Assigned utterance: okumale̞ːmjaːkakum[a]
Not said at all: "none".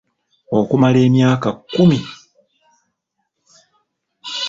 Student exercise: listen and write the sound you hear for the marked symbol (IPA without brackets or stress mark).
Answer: i